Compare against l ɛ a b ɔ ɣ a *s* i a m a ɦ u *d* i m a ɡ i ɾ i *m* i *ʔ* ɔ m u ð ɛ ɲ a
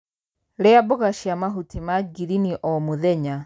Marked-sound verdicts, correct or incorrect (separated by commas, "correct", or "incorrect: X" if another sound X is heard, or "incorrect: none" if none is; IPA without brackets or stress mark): incorrect: ʃ, incorrect: t, incorrect: n, correct